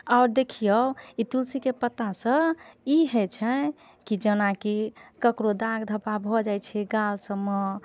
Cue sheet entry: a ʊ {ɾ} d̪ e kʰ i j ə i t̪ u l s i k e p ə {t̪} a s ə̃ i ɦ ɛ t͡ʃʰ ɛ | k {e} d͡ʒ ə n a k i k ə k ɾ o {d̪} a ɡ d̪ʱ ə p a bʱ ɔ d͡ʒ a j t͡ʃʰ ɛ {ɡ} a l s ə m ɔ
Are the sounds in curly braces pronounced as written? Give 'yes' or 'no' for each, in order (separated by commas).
yes, yes, no, yes, yes